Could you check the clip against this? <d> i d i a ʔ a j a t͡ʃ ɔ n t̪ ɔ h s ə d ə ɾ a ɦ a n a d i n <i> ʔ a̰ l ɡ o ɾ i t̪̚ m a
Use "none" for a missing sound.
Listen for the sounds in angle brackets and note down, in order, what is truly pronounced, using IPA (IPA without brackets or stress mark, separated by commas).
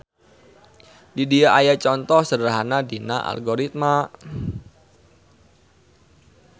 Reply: d, a